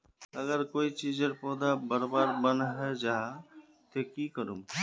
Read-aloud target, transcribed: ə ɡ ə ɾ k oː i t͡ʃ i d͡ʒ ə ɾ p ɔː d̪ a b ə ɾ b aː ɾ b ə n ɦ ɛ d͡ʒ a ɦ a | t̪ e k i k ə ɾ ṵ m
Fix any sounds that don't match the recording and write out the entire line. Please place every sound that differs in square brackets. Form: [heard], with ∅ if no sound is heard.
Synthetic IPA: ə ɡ ə ɾ k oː i t͡ʃ i d͡ʒ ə ɾ p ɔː d̪ a b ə ɾ b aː ɾ b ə n ɦ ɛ d͡ʒ a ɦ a | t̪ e k i k ə ɾ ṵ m